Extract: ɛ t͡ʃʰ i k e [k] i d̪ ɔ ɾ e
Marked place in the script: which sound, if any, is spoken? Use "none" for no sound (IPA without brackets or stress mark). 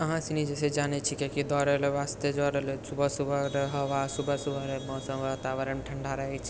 k